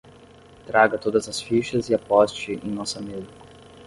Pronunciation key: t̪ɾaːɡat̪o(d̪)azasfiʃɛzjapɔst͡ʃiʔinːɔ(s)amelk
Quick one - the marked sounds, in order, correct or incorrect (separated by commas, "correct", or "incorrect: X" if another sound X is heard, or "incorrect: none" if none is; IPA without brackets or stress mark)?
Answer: correct, correct